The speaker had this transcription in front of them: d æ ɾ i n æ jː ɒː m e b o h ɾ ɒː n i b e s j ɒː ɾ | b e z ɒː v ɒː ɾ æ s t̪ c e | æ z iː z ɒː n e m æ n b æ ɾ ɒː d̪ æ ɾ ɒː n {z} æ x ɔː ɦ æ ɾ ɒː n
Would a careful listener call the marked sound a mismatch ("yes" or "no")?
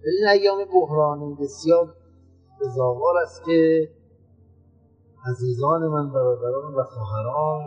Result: yes